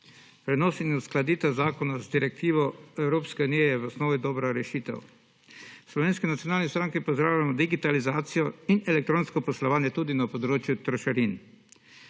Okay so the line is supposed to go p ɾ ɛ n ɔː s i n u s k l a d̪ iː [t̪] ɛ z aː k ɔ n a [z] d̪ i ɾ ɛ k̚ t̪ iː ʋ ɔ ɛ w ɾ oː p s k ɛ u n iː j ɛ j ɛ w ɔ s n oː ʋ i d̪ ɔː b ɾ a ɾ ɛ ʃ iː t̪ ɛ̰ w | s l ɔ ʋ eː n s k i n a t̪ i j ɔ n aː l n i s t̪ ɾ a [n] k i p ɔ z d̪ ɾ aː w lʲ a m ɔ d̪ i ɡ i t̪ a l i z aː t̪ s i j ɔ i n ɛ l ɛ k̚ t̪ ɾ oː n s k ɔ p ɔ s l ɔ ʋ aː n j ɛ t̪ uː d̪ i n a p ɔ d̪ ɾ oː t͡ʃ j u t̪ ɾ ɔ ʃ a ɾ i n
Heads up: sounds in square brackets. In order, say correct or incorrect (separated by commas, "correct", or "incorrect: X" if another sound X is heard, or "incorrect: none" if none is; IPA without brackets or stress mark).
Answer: correct, correct, incorrect: ŋ